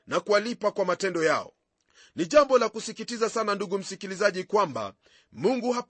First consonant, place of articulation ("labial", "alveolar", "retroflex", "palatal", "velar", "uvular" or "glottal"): alveolar